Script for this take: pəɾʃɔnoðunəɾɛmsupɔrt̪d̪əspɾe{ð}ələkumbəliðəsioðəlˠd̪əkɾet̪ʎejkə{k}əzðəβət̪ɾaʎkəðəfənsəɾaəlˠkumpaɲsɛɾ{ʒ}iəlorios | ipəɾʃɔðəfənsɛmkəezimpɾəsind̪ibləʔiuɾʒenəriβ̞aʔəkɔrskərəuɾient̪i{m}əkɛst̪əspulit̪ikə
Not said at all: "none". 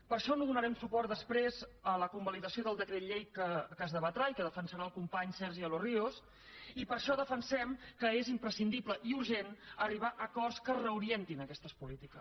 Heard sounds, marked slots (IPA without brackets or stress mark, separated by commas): z, k, ʒ, n